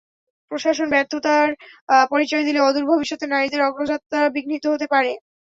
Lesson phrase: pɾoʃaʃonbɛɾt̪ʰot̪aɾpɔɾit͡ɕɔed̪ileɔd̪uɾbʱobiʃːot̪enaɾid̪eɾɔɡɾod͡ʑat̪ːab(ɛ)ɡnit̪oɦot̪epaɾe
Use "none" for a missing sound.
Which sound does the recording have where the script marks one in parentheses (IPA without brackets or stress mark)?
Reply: i